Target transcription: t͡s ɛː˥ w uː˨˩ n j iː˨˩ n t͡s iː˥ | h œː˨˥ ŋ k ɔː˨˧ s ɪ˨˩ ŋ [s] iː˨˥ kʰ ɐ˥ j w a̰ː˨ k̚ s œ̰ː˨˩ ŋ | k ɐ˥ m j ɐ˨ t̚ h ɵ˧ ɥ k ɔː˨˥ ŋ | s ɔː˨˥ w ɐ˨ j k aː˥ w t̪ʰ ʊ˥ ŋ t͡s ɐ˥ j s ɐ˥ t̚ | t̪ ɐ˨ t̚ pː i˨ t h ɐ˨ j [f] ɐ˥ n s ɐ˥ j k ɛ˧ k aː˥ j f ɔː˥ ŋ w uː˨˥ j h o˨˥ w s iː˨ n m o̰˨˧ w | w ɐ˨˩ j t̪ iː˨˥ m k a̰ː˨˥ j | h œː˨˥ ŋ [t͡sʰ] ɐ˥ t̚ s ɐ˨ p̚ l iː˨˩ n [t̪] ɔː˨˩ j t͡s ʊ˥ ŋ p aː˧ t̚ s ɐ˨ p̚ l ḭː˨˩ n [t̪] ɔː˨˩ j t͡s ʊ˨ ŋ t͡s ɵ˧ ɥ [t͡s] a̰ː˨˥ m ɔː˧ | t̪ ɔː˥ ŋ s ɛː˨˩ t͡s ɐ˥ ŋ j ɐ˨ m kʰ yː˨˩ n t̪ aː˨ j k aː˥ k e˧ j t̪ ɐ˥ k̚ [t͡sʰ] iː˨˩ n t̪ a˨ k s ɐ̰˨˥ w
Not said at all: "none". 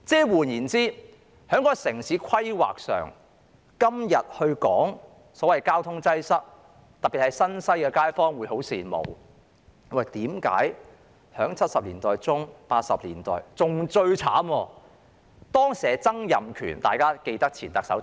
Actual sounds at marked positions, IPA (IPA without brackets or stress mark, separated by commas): s, s, t͡sʰ, t̪, t̪, t͡sʰ, t͡sʰ